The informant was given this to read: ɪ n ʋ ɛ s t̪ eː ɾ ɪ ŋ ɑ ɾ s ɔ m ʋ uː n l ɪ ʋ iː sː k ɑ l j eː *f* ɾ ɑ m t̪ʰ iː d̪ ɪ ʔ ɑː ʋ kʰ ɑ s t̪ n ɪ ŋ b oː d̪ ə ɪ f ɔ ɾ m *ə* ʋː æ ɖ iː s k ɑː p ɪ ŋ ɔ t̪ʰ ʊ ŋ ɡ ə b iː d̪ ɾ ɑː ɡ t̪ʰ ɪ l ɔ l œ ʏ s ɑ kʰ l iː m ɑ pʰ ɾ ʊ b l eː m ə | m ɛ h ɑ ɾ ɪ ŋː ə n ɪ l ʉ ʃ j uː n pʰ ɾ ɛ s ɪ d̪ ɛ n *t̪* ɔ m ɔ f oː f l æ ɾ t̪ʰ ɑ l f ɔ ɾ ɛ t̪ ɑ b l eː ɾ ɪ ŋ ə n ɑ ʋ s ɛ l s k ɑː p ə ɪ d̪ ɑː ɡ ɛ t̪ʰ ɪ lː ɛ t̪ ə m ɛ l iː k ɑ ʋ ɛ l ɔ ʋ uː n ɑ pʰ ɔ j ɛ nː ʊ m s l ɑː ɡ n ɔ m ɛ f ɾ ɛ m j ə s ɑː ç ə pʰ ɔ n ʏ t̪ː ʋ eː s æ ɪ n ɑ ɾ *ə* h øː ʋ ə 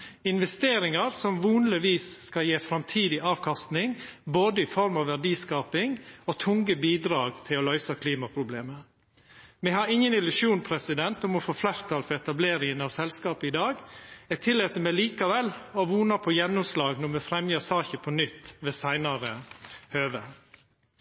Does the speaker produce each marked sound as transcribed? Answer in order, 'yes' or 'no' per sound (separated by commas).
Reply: yes, no, yes, yes